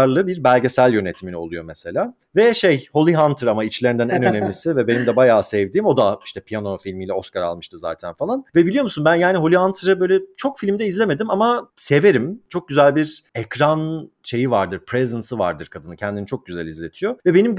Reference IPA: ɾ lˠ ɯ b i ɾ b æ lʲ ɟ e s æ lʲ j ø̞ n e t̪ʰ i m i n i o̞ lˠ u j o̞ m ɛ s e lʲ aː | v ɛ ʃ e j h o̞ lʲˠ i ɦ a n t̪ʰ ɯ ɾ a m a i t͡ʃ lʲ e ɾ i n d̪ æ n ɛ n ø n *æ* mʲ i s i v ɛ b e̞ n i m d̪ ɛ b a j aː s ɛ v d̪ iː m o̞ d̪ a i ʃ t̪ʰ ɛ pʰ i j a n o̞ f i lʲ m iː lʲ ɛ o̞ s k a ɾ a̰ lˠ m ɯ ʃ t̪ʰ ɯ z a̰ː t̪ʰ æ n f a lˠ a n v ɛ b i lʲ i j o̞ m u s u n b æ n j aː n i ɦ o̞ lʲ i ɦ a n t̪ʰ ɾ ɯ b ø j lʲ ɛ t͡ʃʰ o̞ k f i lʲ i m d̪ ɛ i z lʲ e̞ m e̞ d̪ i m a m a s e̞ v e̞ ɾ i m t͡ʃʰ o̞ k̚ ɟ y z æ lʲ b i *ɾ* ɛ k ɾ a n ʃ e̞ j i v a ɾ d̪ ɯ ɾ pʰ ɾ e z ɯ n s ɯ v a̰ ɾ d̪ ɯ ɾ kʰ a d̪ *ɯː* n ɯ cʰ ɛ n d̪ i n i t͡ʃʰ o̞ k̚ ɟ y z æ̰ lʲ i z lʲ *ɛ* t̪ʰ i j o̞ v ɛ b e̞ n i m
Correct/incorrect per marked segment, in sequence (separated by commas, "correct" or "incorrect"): incorrect, correct, incorrect, incorrect